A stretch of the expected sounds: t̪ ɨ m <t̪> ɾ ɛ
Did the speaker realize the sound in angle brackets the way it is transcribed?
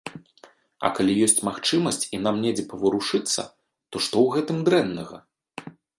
no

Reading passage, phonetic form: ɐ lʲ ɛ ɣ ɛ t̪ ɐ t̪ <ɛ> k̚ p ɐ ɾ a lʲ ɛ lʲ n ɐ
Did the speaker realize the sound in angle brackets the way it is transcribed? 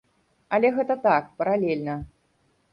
no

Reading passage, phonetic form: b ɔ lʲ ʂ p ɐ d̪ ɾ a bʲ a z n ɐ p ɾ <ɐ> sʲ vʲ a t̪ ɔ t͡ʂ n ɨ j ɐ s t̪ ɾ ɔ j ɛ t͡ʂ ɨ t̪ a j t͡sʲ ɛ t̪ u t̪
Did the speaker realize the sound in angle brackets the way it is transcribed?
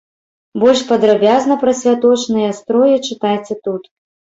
yes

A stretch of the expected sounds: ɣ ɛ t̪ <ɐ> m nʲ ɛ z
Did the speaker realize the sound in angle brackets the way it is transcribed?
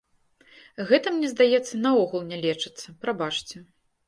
yes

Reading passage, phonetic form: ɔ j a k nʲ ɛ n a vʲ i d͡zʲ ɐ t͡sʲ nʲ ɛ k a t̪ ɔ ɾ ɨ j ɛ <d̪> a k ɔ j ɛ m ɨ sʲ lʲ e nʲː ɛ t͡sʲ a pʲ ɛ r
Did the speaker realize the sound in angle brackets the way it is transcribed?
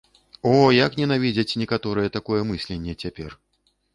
no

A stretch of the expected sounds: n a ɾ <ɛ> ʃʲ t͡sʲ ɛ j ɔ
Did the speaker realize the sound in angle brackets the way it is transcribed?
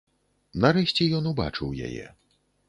yes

